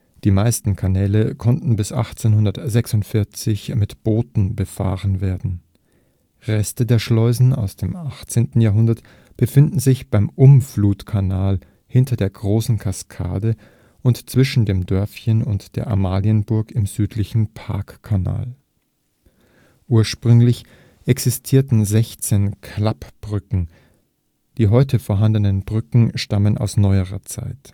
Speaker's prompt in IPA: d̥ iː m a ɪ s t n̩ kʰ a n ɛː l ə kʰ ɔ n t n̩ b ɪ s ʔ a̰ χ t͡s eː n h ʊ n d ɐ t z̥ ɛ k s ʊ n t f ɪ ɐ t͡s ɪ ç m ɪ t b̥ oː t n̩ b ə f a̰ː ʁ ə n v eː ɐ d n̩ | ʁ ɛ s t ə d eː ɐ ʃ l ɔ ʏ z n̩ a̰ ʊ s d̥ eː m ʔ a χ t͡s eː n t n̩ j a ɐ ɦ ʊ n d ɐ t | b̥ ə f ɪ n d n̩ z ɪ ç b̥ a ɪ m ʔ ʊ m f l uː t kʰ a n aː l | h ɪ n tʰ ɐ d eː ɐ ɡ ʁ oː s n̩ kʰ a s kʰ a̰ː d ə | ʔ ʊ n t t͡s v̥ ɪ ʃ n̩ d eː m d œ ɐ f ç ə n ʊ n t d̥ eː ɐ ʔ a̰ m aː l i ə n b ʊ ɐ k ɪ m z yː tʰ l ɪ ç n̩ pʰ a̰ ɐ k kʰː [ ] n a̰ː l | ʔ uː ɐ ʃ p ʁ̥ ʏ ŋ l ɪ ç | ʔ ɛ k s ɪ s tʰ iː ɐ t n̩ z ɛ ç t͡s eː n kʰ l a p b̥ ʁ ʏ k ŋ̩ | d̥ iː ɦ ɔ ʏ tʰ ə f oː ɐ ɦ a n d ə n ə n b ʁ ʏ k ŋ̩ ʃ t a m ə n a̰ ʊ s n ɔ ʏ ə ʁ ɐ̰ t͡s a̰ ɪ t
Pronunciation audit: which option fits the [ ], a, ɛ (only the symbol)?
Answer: a